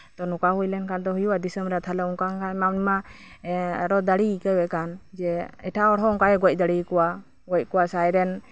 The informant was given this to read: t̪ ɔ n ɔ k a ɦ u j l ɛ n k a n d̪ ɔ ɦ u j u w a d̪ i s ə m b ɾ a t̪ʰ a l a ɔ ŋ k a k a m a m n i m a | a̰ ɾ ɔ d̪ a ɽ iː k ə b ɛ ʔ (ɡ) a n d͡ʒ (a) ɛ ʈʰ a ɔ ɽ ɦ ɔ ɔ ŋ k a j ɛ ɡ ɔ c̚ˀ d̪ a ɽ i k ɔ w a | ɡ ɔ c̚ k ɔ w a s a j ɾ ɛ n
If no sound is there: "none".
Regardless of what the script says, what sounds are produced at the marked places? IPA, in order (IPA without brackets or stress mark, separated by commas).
k, ɛ